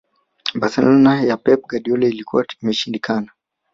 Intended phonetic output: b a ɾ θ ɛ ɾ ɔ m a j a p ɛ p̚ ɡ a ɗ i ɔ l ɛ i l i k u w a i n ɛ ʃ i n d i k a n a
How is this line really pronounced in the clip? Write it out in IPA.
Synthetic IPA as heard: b a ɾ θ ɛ l ɔ n a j a p ɛ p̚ ɡ a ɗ i ɔ l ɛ i l i k u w a i m ɛ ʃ i n d i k a n a